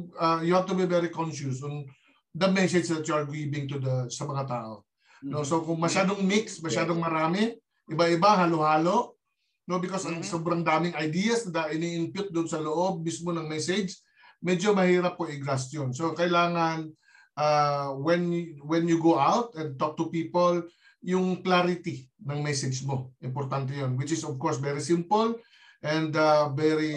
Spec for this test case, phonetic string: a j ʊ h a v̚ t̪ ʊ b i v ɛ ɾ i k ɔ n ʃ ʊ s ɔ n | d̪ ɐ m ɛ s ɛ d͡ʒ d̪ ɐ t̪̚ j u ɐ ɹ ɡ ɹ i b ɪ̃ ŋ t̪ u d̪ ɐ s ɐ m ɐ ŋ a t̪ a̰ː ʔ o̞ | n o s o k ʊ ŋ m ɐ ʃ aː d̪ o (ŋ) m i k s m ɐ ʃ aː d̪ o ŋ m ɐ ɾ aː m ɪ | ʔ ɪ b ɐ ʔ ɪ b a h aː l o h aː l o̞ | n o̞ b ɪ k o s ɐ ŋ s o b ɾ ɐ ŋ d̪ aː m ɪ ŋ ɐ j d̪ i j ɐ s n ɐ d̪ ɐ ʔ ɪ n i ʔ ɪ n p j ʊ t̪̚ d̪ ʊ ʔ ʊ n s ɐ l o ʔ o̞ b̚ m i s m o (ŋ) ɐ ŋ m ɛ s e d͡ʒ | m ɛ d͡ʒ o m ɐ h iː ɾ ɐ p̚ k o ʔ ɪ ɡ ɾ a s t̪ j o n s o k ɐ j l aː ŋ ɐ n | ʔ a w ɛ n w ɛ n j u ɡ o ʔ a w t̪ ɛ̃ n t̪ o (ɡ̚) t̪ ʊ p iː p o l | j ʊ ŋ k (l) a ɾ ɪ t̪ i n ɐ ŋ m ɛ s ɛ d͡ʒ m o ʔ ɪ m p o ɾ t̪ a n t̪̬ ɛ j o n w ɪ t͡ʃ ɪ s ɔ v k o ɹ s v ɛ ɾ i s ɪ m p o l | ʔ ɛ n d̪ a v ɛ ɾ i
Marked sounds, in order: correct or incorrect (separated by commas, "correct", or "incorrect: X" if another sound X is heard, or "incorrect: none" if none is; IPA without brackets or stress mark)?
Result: correct, incorrect: n, incorrect: k̚, correct